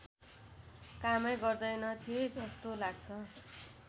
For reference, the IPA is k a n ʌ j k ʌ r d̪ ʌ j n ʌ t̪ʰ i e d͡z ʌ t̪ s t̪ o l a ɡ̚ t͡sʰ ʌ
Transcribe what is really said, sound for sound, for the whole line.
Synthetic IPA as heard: k a m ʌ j ɡ ʌ r d̪ ʌ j n ʌ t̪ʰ i e d͡z ʌ s t̪ o l a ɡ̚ t͡sʰ ʌ